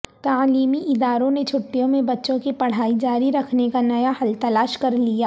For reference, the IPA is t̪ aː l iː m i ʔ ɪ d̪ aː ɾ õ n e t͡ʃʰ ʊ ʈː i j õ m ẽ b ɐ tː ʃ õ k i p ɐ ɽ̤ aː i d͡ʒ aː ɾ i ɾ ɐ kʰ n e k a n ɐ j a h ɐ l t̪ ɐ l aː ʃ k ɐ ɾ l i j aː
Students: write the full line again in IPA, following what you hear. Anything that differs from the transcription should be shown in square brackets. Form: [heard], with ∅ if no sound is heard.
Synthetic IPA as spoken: t̪ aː l iː m i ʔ ɪ d̪ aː ɾ õ n e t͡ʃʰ ʊ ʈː i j õ m ẽ b ɐ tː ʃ õ k i p ɐ ɽ̤ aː i d͡ʒ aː ɾ i ɾ ɐ kʰ n e k a n ɐ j a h ɐ l t̪ ɐ l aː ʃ k ɐ ɾ l i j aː